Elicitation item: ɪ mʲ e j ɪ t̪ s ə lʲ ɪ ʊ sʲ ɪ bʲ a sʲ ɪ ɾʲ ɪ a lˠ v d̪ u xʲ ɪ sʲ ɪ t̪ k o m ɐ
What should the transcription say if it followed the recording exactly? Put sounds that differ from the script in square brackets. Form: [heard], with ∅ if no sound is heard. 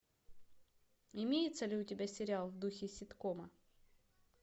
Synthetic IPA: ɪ mʲ e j ɪ t̪ s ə lʲ ɪ ʊ [tʲ] ɪ bʲ a sʲ ɪ ɾʲ ɪ a lˠ v d̪ u xʲ ɪ sʲ ɪ t̪ k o m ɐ